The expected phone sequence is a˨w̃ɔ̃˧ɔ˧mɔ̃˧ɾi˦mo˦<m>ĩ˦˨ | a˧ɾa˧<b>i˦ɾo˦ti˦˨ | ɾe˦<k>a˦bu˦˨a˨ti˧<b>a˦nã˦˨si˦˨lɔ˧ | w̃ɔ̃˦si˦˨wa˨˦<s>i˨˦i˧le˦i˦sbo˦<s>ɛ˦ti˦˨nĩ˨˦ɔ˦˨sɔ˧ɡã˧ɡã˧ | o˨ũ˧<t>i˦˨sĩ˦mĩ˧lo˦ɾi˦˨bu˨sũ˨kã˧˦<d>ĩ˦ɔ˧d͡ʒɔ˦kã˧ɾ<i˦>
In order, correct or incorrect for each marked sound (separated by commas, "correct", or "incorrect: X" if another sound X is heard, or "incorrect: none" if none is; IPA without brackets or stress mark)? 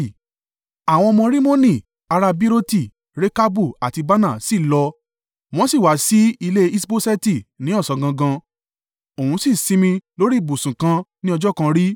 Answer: incorrect: n, correct, correct, correct, correct, correct, incorrect: s, incorrect: n, correct